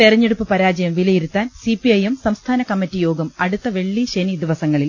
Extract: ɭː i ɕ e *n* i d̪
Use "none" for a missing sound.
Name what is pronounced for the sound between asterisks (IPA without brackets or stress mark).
n